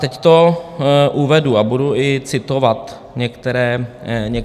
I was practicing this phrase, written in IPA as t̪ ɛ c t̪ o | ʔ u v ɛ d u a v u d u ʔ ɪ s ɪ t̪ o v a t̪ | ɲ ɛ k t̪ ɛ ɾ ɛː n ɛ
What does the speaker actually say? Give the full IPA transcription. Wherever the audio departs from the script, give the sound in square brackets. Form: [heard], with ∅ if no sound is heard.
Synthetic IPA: t̪ ɛ c t̪ o | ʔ u v ɛ d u a [b] u d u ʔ ɪ [t͡s] ɪ t̪ o v a t̪ | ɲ ɛ k t̪ ɛ ɾ ɛː [ɲ] ɛ